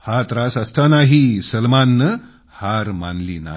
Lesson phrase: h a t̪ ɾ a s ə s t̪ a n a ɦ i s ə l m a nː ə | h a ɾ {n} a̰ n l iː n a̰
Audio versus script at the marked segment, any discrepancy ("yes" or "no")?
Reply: yes